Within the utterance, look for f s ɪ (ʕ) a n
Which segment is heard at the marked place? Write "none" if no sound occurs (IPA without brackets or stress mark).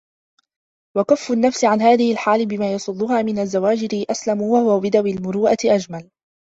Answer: ʕ